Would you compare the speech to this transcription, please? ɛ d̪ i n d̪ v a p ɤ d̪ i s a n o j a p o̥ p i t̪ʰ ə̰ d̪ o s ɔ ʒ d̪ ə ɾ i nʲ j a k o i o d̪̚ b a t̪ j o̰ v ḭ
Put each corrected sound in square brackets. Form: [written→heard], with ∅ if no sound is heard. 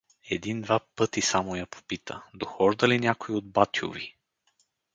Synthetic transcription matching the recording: ɛ d̪ i n d̪ v a p ɤ [d̪→t̪] i s a [n→m] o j a p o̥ p i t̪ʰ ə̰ d̪ o [s→x] ɔ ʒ d̪ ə [ɾ→l] i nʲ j a k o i o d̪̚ b a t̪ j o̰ v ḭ